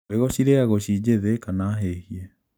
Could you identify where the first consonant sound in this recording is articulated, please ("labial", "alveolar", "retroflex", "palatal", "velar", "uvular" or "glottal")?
velar